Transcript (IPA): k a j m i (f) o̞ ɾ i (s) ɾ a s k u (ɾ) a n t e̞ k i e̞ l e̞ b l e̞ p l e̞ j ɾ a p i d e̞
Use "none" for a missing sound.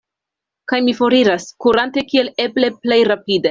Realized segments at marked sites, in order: f, none, ɾ

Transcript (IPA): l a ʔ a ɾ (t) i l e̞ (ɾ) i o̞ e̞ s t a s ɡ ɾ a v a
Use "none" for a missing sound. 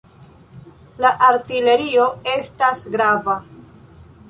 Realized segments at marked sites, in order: t, ɾ

